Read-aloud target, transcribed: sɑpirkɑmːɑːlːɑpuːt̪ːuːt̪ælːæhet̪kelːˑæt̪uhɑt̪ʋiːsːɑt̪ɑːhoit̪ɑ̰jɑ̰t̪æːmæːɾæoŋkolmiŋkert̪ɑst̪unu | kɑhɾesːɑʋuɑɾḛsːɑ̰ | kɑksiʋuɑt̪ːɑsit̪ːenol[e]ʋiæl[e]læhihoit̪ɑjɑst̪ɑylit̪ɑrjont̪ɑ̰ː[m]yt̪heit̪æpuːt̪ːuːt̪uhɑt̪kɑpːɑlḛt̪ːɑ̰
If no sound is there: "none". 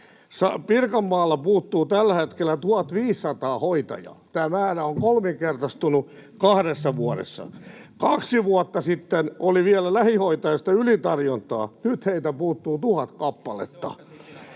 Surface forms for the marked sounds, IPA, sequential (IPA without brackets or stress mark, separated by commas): i, æ, n